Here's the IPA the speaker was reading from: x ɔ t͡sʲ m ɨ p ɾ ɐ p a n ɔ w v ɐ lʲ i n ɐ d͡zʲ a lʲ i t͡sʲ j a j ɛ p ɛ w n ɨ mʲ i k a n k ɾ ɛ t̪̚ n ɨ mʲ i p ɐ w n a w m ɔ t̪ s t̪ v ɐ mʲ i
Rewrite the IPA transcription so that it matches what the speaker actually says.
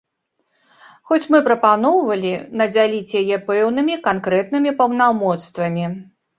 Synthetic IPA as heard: x ɔ t͡sʲ m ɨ p ɾ ɐ p a n ɔ w v ɐ lʲ i n ɐ d͡zʲ a lʲ i t͡sʲ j a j ɛ p ɛ w n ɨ mʲ i k a n k ɾ ɛ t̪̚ n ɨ mʲ i p ɐ w n a w m ɔ t̪ s t̪ v ɐ mʲ i